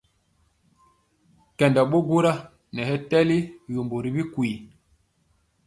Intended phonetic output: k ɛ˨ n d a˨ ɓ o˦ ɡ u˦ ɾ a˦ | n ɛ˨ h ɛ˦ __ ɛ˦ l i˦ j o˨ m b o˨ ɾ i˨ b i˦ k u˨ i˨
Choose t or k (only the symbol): t